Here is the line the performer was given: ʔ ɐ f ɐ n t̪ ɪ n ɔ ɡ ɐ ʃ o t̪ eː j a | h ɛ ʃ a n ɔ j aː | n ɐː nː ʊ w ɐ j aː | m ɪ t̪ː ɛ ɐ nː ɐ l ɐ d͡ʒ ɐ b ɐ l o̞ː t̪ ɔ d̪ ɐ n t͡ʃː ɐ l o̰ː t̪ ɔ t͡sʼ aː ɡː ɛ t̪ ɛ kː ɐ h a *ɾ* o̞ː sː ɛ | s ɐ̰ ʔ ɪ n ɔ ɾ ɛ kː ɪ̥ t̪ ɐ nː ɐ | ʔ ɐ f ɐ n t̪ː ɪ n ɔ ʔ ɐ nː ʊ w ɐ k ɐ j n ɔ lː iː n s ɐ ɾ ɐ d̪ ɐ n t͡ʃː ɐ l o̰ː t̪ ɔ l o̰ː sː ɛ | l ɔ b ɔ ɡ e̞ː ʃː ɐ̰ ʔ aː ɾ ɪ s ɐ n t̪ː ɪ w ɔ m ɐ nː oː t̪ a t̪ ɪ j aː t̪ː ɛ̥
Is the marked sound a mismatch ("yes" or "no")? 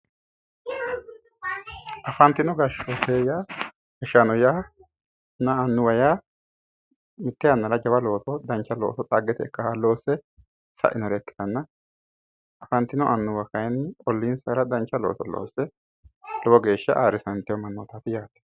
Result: yes